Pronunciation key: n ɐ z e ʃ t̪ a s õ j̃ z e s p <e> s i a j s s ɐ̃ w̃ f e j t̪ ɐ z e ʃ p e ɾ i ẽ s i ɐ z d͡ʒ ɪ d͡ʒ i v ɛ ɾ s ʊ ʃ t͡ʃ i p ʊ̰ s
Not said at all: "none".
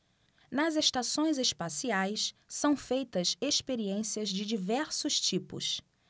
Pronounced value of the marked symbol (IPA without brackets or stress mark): a